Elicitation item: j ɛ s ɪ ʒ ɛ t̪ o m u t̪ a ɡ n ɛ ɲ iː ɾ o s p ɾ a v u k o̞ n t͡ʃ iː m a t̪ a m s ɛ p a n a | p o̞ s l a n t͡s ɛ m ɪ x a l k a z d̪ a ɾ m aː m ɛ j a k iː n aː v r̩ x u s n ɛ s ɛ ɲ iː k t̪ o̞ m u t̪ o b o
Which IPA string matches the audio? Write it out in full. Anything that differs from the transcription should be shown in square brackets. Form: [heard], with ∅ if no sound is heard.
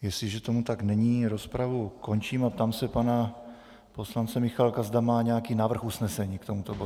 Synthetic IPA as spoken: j ɛ s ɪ ʒ ɛ t̪ o m u t̪ a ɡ n ɛ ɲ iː ɾ o s p ɾ a v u k o̞ n t͡ʃ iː m a t̪ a m s ɛ p a n a | p o̞ s l a n t͡s ɛ m ɪ x a l k a z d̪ a [∅] m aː [ɲ] ɛ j a k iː n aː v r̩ x u s n ɛ s ɛ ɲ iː k t̪ o̞ m u t̪ o b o